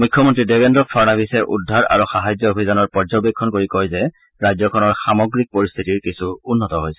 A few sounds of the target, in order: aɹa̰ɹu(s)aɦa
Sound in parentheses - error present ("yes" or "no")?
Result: yes